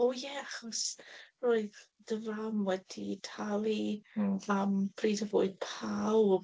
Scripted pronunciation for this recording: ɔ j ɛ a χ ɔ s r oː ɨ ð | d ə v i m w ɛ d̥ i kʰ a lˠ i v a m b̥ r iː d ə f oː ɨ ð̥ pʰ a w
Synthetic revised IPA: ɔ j ɛ a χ ɔ s r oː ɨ ð | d ə v a m w ɛ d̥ i tʰ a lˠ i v a m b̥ r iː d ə v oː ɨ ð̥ pʰ a w